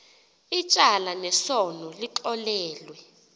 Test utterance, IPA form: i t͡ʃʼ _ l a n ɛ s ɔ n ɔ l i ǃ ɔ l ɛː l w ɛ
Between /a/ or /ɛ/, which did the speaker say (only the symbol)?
a